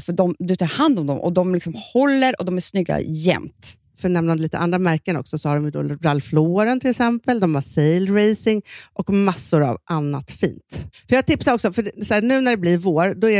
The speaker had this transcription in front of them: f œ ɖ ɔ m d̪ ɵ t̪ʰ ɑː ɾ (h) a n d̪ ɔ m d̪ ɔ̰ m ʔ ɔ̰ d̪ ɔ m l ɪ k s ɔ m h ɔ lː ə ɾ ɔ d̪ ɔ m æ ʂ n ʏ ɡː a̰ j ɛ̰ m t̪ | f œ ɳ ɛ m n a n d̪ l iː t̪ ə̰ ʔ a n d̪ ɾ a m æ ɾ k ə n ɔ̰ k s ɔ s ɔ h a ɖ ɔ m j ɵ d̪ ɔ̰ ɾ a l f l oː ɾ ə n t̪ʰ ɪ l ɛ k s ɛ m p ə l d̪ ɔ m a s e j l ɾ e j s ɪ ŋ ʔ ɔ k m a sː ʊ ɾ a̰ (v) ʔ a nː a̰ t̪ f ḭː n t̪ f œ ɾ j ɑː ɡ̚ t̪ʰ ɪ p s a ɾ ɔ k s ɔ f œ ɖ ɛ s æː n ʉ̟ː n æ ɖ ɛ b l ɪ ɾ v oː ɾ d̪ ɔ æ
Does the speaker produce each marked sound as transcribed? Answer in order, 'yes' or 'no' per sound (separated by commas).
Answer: yes, yes